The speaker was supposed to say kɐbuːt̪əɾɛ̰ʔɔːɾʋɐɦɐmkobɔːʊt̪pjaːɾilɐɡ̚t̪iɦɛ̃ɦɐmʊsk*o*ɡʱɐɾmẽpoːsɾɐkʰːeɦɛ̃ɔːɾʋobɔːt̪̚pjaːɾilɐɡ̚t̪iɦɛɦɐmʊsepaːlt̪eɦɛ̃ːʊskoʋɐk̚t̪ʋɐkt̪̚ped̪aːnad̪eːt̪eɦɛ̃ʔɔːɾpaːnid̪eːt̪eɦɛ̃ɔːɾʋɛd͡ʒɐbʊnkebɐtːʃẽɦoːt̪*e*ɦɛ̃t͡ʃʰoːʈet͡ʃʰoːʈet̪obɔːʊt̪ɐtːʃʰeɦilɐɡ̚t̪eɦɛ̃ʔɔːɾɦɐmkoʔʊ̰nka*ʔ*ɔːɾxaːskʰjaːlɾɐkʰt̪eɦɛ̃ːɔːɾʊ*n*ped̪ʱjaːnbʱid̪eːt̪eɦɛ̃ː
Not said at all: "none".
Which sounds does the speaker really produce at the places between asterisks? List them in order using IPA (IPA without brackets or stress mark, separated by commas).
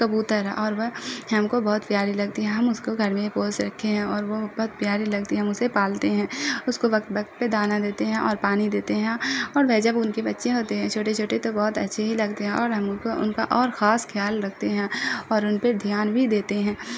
o, e, ʔ, n